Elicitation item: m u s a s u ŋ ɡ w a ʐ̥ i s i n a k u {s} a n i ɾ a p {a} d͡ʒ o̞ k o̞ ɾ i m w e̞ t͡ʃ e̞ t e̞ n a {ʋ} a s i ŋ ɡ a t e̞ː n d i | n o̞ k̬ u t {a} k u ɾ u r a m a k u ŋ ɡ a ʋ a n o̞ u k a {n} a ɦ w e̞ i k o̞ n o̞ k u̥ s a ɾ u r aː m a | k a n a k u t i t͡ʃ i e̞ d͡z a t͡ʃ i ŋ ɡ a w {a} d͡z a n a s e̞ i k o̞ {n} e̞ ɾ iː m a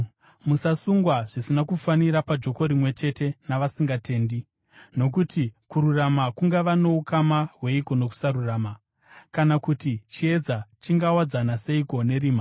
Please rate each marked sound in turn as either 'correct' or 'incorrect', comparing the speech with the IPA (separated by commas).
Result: incorrect, correct, correct, incorrect, incorrect, correct, correct